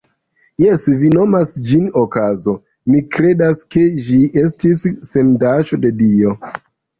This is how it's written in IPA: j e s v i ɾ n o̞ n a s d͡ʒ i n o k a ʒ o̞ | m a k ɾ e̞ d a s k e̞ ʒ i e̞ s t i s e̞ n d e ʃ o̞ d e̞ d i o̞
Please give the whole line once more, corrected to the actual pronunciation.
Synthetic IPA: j e s v i n o̞ m a s d͡ʒ i n o k a z o̞ | m i k ɾ e̞ d a s k e̞ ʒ i e̞ s t i sː e̞ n d a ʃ o̞ d e̞ d i o̞